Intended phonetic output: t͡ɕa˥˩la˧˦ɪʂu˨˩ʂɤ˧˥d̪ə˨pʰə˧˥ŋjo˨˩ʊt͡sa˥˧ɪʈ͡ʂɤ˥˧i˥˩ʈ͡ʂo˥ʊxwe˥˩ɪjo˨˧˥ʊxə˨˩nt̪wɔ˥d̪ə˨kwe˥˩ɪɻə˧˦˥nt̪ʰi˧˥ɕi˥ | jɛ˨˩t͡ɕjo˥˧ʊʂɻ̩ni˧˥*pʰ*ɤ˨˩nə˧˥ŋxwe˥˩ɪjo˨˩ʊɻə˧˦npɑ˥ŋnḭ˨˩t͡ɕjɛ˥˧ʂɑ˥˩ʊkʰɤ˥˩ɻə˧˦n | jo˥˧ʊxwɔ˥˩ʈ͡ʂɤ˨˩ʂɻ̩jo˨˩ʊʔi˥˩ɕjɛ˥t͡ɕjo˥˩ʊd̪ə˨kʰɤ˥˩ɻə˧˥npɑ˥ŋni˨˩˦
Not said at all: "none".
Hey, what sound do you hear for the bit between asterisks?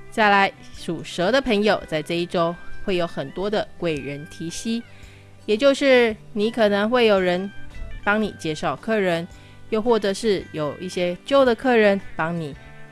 kʰ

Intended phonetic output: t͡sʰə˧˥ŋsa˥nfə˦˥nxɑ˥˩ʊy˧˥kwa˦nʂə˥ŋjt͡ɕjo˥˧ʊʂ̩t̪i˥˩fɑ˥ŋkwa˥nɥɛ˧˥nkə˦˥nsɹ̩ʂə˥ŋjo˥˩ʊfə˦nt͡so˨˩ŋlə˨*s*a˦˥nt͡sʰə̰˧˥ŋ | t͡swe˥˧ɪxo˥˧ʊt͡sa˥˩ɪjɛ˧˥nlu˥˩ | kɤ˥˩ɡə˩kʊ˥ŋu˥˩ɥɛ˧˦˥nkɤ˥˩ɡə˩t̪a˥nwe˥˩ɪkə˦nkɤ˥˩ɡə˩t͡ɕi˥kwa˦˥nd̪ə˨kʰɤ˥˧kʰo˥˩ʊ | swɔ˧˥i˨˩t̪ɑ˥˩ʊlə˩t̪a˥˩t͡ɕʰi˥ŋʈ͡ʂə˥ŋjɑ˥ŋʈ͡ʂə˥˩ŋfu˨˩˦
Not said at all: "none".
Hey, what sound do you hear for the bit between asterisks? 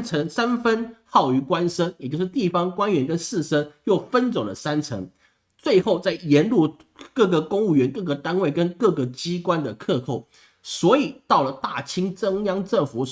s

